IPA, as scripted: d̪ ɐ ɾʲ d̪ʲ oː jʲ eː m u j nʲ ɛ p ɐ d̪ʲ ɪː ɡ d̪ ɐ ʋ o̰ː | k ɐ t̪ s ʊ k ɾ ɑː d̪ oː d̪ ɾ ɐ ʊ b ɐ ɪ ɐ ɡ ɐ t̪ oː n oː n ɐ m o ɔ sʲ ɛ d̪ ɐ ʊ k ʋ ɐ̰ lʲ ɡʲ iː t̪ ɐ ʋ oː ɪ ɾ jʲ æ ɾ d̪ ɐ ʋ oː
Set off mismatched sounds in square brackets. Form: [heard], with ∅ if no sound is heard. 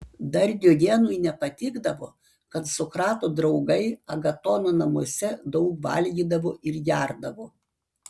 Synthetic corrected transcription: d̪ ɐ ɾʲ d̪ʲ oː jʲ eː [n] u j nʲ ɛ p ɐ [t̪ʲ] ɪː ɡ d̪ ɐ ʋ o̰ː | k ɐ t̪ s ʊ k ɾ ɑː [t̪] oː d̪ ɾ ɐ ʊ [ɡ] ɐ ɪ ɐ ɡ ɐ t̪ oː n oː n ɐ m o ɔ sʲ ɛ d̪ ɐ ʊ k ʋ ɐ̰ lʲ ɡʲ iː [d̪] ɐ ʋ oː ɪ ɾ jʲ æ ɾ d̪ ɐ ʋ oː